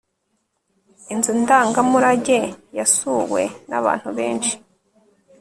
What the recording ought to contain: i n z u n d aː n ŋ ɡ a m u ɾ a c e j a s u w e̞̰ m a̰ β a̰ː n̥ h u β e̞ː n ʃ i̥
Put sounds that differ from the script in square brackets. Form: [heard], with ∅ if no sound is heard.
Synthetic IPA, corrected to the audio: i n z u n d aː [∅] ŋ ɡ a m u ɾ a [ɟ] e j a s u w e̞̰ [n] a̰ β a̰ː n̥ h u β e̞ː n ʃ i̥